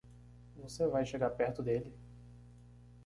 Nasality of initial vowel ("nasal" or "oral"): oral